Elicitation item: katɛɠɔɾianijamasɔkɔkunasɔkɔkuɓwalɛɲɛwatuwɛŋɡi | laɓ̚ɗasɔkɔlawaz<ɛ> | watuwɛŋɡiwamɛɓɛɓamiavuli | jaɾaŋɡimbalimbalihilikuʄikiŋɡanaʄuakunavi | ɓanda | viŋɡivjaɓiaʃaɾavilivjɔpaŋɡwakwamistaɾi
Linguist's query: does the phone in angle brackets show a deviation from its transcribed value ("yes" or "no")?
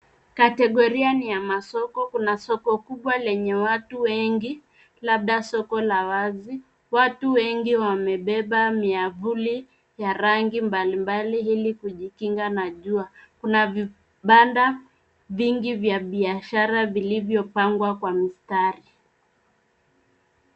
yes